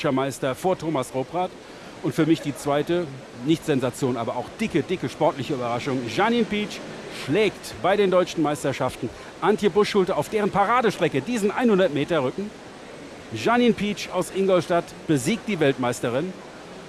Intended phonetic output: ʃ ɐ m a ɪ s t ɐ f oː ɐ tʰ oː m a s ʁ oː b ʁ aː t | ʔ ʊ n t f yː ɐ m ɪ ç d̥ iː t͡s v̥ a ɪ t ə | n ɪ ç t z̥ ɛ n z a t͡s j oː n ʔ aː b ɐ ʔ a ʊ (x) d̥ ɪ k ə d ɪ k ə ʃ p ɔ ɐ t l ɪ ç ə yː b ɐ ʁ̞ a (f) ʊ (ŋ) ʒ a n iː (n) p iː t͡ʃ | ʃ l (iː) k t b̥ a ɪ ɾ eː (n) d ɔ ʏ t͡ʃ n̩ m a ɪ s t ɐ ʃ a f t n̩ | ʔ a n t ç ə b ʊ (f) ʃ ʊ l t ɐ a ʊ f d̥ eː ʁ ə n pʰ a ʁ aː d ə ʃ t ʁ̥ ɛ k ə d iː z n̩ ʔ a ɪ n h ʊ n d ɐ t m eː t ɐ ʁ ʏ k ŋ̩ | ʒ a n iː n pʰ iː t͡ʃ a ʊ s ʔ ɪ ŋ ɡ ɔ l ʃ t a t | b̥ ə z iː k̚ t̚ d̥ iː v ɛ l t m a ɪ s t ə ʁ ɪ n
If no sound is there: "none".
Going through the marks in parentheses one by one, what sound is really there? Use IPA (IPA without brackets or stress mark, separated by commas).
x, ʃ, ŋ, n, ɛː, n, ʃ